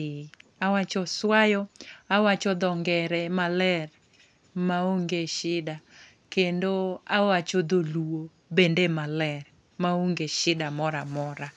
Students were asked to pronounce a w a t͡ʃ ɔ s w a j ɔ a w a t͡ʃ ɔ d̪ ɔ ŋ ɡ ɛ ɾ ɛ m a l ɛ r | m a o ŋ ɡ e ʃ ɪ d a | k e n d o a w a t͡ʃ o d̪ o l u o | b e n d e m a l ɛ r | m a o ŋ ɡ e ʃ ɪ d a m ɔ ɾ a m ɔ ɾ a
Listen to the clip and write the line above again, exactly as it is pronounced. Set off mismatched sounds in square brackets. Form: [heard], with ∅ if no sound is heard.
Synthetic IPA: a w a t͡ʃ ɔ s w a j ɔ a w a t͡ʃ ɔ d̪ ɔ ŋ ɡ ɛ ɾ ɛ m a l ɛ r | m a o ŋ ɡ e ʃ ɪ d a | k e n d o a w a t͡ʃ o d̪ o l u o | b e n d e m a l ɛ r | m a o ŋ ɡ e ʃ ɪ d a m ɔ ɾ a m ɔ ɾ a